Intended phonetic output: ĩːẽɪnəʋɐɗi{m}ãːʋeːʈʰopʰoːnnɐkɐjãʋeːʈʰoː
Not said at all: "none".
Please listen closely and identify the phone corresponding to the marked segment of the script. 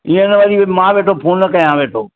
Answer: m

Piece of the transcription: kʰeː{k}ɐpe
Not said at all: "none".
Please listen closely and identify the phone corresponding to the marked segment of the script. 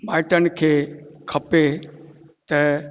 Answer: kʰ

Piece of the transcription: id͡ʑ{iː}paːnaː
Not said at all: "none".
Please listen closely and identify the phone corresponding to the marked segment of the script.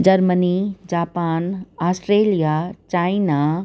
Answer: aː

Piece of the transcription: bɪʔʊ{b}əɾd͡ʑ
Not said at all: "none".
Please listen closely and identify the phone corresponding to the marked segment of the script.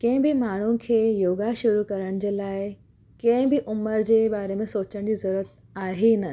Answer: m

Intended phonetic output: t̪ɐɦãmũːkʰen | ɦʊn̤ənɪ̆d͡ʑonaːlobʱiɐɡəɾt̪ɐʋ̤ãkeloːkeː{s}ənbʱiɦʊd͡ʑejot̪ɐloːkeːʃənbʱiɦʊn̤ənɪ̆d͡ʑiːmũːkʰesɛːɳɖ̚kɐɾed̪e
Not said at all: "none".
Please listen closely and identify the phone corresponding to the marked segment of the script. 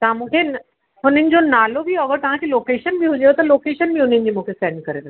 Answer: ʃ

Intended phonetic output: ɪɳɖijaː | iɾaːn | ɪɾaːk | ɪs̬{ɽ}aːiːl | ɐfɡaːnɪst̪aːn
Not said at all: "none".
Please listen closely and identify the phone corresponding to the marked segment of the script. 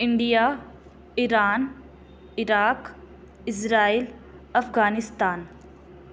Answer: ɾ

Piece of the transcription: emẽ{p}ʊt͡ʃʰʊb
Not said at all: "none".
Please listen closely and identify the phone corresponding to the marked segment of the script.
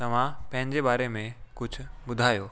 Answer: k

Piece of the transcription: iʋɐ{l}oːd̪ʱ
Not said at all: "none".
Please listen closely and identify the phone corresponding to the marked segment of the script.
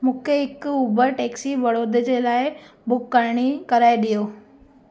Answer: ɽ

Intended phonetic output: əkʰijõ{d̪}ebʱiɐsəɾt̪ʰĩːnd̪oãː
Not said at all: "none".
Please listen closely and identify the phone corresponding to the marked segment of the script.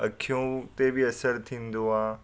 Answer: t̪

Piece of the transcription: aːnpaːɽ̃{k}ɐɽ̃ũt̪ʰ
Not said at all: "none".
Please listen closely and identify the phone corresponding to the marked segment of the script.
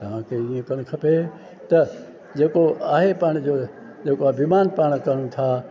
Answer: k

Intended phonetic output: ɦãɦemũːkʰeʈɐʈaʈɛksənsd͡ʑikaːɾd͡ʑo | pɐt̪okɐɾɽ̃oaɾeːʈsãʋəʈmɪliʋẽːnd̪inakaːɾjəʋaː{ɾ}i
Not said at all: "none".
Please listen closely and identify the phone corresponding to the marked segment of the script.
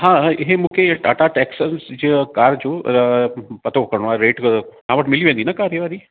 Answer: ɾ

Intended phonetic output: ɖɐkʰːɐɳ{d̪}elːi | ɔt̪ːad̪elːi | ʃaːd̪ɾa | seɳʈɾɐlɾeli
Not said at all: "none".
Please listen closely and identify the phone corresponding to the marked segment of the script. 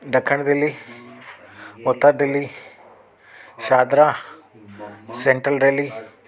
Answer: d̪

